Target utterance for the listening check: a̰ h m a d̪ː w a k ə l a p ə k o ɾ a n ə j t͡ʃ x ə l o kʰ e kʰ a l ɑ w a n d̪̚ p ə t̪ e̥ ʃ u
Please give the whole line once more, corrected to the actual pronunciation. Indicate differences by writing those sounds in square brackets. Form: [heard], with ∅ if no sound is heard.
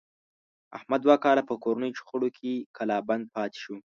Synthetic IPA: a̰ h m a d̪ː w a k [ɑ] l a p ə k o ɾ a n ə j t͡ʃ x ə [ɽ] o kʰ e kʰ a l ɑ [b] a n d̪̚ p [ɑ] t̪ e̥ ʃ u

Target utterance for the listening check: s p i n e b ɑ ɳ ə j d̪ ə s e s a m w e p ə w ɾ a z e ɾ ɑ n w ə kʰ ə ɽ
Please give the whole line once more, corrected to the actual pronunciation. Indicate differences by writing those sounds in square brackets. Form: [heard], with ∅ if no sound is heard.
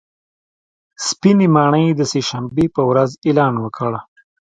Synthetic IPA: s p i n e [m] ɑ ɳ ə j d̪ ə s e [ʃ] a m [b] e p ə w ɾ a z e [l] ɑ n w ə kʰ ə ɽ

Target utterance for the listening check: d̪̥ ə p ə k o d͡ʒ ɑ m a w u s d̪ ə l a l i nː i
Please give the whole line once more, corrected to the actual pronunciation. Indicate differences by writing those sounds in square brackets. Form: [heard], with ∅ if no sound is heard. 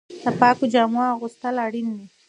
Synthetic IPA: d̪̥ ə p [ɑ] k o d͡ʒ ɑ m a [ɣ] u s [t̪] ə l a [ɽ] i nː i

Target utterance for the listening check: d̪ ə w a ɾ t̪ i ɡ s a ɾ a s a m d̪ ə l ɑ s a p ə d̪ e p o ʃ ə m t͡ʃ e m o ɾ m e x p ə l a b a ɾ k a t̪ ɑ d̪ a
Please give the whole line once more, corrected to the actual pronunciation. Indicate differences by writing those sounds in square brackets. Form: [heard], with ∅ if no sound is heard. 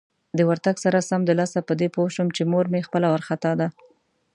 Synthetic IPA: d̪ ə w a ɾ t̪ [a] ɡ s a ɾ a s a m d̪ ə l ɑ s a p ə d̪ e p o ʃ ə m t͡ʃ e m o ɾ m e x p ə l a [w] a ɾ [x] a t̪ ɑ d̪ a

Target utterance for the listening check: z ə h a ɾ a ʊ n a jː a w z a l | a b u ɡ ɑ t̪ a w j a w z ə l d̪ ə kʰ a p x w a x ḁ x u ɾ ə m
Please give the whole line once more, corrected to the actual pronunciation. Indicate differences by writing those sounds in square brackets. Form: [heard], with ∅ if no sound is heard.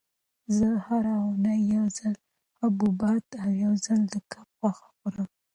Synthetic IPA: z ə h a ɾ a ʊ n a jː a w z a l | a b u [b] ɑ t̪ a w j a w z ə l d̪ ə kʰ a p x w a x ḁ x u ɾ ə m

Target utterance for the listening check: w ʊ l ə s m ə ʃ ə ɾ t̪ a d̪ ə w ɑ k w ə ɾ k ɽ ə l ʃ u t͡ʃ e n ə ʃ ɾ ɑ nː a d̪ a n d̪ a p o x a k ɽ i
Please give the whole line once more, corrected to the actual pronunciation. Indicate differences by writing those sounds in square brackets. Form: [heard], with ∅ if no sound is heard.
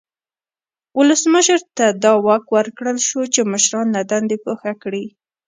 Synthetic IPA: w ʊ l ə s m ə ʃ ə ɾ t̪ a d̪ [ɑ] w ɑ k w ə ɾ k ɽ ə l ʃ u t͡ʃ e [m] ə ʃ ɾ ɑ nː a d̪ a n d̪ [e] p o x a k ɽ i

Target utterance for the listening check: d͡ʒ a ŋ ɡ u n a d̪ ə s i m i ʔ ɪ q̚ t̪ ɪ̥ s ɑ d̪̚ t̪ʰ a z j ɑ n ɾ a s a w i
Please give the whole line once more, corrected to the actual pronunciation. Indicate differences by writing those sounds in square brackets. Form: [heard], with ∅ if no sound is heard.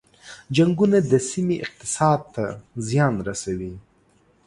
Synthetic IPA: d͡ʒ a ŋ ɡ u n a d̪ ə s i m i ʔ ɪ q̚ t̪ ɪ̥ s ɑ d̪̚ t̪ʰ a z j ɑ n ɾ a s a w i

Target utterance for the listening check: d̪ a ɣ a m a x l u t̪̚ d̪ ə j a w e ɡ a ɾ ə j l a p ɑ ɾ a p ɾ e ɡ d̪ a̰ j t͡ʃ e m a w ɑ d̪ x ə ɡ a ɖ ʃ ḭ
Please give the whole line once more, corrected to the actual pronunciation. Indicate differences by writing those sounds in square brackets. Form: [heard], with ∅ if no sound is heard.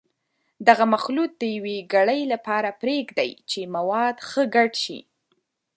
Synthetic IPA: d̪ a ɣ a m a x l u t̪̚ d̪ ə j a w e ɡ a [ɽ] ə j l a p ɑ ɾ a p ɾ e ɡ d̪ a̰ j t͡ʃ e m a w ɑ d̪ x ə ɡ a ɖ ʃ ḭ

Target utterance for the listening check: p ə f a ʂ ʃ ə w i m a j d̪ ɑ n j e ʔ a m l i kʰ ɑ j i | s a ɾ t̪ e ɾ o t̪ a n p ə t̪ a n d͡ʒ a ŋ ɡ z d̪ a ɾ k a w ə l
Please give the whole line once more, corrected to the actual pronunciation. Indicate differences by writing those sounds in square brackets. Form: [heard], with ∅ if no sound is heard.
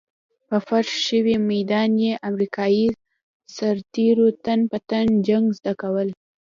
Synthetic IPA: p ə f a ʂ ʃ ə w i m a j d̪ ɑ n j e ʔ a m [ɾ] i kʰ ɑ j i | s a ɾ t̪ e ɾ o t̪ a n p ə t̪ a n d͡ʒ a ŋ ɡ z d̪ a [∅] k a w ə l

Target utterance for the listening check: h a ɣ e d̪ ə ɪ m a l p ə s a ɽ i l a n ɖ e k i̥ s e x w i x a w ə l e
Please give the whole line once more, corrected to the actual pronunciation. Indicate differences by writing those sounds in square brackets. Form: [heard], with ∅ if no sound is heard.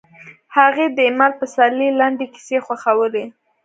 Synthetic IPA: h a ɣ e d̪ ə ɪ m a l p ə s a [l] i l a [ɳ] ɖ e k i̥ s e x w [a] x a w ə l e

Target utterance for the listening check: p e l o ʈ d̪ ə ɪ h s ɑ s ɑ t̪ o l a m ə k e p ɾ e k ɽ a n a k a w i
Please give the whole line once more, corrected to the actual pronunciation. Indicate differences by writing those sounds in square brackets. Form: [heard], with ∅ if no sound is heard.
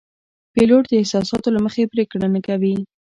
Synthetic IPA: p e l o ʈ d̪ ə ɪ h s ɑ s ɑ t̪ o l a m ə [x] e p ɾ e k ɽ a n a k a w i

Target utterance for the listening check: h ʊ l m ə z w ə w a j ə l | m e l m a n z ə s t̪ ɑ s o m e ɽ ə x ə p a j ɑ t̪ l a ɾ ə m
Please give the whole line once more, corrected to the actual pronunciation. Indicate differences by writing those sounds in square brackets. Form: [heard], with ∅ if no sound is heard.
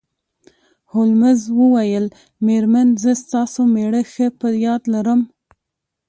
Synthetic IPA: h ʊ l m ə z w ə w a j ə l | m e [ɾ] m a n z ə s t̪ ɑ s o m e ɽ ə x ə p [ə] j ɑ [d̪] l a ɾ ə m

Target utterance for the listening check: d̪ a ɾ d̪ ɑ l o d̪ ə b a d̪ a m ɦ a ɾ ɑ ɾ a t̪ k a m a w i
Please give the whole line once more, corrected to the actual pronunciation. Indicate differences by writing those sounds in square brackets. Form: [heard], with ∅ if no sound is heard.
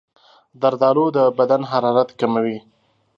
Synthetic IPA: d̪ a ɾ d̪ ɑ l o d̪ ə b a d̪ a [n] ɦ a ɾ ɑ ɾ a t̪ k a m a w i

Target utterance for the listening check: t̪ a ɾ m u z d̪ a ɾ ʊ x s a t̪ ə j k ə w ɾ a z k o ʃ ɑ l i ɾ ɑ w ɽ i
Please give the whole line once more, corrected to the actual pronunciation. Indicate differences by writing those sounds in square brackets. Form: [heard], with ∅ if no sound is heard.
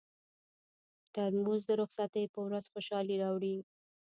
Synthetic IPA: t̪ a ɾ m u z d̪ [ə] ɾ ʊ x s a t̪ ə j [p] ə w ɾ a z [x] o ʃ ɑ l i ɾ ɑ w ɽ i

